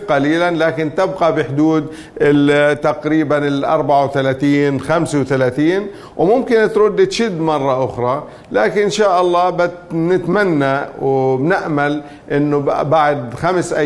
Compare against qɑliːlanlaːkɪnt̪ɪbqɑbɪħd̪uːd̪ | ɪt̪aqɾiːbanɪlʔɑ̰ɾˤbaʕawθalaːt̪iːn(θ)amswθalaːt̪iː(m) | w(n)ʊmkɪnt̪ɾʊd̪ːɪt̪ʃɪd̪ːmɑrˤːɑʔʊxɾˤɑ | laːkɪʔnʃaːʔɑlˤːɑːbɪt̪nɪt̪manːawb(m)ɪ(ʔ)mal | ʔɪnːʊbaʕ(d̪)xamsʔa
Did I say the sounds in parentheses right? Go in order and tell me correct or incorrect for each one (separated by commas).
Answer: incorrect, incorrect, incorrect, incorrect, correct, correct